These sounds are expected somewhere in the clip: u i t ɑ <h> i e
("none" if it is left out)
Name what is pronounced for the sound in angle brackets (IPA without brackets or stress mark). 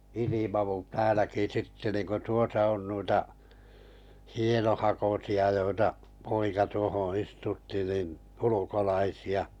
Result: h